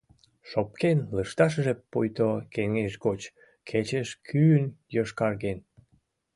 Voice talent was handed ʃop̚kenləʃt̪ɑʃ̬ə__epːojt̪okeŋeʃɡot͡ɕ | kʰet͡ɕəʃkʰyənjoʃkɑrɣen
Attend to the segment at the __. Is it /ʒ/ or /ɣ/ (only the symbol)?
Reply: ʒ